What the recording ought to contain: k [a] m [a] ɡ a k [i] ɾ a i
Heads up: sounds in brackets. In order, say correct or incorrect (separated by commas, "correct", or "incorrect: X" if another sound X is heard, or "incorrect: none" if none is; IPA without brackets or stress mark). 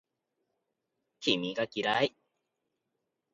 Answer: incorrect: i, incorrect: i, correct